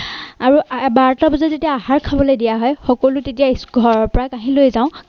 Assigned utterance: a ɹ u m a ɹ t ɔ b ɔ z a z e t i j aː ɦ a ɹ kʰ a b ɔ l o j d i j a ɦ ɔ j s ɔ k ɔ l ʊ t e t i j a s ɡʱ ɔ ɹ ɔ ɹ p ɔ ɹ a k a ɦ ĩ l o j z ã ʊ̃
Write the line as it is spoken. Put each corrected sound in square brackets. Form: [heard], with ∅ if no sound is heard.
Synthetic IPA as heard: a ɹ u [b] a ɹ t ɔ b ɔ z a z e t i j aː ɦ a ɹ kʰ a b ɔ l o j d i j a ɦ ɔ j [x] ɔ k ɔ l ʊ t e t i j a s ɡʱ ɔ ɹ ɔ ɹ p ɔ ɹ a k a ɦ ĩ l o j z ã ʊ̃